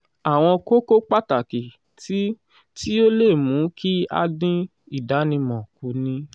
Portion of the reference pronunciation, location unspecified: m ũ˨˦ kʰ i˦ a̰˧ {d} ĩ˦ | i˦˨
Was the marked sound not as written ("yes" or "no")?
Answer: no